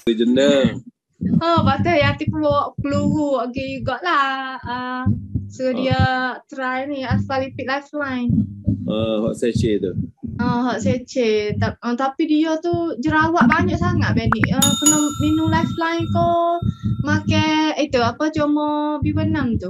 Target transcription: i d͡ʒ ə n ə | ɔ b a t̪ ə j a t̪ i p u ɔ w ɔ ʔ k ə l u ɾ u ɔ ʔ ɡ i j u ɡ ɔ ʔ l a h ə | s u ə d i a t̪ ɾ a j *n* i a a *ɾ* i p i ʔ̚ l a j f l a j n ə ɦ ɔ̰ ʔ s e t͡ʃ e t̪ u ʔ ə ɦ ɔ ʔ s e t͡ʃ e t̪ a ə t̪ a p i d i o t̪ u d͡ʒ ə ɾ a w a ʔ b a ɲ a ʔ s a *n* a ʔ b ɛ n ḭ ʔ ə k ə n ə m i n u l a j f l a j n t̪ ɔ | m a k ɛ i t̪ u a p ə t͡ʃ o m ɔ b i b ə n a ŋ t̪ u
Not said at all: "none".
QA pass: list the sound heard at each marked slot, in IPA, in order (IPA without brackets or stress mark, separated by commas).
n, l, ŋ